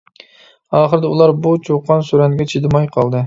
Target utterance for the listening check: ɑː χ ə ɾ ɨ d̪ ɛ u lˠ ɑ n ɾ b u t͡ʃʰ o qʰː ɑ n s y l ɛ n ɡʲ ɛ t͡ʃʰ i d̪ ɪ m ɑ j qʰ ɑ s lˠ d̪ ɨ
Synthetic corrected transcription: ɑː χ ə ɾ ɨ d̪ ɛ u lˠ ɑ ɾ b u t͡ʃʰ o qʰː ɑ n s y ɾ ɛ n ɡʲ ɛ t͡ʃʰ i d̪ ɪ m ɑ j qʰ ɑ lˠ d̪ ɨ